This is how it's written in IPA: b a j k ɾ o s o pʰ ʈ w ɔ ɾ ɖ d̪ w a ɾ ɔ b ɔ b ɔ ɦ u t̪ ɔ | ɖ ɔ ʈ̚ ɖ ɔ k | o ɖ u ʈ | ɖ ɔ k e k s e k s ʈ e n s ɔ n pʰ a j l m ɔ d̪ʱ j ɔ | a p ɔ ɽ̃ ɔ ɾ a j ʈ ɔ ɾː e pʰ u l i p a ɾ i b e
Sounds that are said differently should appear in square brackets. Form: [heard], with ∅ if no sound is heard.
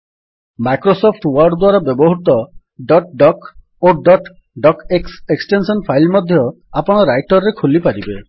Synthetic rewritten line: [m] a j k ɾ o s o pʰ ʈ w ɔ ɾ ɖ d̪ w a ɾ ɔ b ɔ b ɔ ɦ u t̪ ɔ | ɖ ɔ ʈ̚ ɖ ɔ k | o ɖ [ɔ] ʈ | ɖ ɔ k e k s e k s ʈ e n s ɔ n pʰ a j l m ɔ d̪ʱ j ɔ | a p ɔ ɽ̃ ɔ ɾ a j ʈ ɔ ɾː e [kʰ] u l i p a ɾ i b e

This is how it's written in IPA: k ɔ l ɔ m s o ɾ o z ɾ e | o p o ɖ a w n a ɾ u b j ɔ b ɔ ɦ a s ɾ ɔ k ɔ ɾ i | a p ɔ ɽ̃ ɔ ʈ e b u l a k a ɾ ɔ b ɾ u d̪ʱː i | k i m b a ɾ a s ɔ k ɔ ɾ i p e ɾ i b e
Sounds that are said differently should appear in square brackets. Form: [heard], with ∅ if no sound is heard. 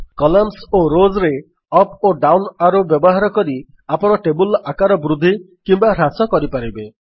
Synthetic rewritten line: k ɔ l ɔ m s o ɾ o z ɾ e | [ɔ] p o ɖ a w n a ɾ u b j ɔ b ɔ ɦ a [∅] ɾ ɔ k ɔ ɾ i | a p ɔ ɽ̃ ɔ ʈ e b u l a k a ɾ ɔ b ɾ u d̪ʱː i | k i m b a ɾ a s ɔ k ɔ ɾ i p [a] ɾ i b e

